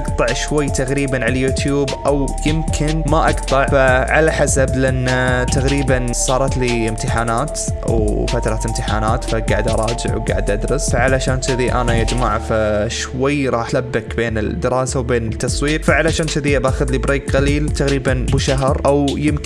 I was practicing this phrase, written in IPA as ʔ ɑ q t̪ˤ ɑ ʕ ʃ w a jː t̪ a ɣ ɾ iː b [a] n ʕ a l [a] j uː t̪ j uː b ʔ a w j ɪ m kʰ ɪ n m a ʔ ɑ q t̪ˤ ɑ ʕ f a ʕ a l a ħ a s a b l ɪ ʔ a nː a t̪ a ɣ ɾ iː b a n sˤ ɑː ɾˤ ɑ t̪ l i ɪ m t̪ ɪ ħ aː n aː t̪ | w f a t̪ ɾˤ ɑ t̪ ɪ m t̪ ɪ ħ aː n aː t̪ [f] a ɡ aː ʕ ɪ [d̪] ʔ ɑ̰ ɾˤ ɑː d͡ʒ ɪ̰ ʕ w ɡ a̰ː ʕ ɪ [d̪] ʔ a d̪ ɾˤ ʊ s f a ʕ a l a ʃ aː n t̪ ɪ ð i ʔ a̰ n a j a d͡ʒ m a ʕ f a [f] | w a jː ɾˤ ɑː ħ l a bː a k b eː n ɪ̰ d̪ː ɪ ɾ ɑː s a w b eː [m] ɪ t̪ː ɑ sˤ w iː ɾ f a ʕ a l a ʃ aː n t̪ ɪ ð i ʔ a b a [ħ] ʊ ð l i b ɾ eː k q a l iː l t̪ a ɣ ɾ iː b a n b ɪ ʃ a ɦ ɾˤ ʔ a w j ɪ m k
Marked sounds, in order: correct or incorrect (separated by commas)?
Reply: correct, correct, correct, correct, correct, incorrect, incorrect, incorrect